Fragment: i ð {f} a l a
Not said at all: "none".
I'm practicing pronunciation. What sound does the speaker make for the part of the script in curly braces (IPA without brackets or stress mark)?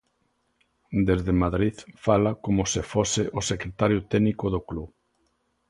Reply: f